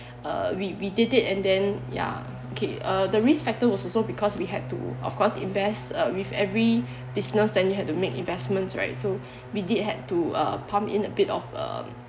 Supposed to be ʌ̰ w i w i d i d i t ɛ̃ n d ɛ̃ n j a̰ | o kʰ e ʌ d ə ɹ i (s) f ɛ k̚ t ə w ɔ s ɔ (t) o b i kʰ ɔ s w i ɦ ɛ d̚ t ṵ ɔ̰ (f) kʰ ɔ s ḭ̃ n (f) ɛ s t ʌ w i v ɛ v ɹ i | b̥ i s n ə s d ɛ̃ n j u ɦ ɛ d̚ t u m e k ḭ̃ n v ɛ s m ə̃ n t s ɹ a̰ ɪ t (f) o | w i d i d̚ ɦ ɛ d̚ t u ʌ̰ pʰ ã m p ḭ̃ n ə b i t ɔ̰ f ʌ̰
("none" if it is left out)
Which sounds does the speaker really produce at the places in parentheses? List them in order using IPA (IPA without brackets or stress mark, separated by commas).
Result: s, s, f, v, s